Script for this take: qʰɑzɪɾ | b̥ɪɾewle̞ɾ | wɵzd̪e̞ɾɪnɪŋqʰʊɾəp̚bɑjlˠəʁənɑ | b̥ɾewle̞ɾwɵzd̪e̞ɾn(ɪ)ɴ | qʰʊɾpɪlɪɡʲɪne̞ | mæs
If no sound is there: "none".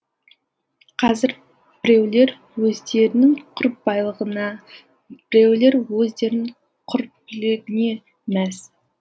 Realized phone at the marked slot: ɪ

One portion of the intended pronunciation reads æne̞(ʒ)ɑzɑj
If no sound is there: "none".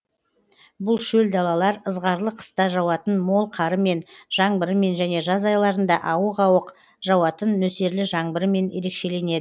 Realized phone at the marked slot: ʒ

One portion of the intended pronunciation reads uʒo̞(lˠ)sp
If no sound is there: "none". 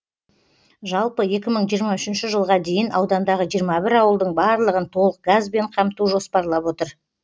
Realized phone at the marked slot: none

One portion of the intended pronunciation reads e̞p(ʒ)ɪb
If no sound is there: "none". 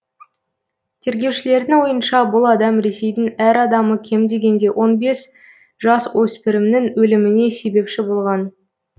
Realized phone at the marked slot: ʃ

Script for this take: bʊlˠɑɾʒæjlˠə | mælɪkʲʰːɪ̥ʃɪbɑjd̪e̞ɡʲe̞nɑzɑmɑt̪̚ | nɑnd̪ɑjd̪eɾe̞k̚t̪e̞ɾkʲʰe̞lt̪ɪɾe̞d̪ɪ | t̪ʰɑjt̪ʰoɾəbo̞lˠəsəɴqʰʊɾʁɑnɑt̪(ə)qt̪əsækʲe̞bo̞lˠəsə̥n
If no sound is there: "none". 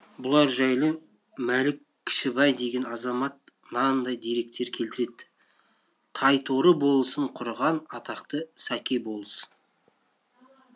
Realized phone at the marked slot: ɑ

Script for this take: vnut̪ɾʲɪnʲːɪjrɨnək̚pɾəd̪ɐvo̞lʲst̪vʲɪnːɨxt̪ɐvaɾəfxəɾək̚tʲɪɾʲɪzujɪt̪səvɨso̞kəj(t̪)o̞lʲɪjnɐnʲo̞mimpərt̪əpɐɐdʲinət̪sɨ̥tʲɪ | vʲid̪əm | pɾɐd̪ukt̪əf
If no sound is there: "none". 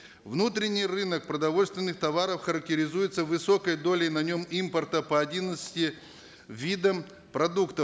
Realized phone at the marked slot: d̪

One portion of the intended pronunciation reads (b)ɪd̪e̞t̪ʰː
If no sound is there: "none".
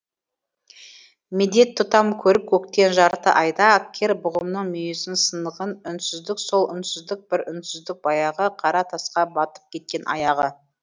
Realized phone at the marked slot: m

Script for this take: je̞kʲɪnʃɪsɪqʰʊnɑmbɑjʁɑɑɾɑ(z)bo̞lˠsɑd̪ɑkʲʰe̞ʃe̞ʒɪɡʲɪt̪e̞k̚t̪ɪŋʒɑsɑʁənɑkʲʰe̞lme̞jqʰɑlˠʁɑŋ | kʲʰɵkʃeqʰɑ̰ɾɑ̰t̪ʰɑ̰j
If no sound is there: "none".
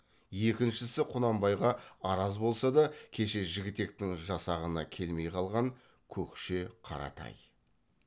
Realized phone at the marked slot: z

